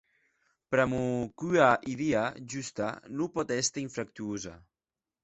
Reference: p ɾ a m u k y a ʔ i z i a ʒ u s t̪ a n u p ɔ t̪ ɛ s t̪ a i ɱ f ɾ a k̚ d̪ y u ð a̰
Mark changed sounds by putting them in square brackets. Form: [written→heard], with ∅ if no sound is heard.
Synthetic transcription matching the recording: p ɾ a m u k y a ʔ i [z→ð] i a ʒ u s t̪ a n u p ɔ t̪ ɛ s t̪ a i ɱ f ɾ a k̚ [d̪→t̪] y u [ð→z] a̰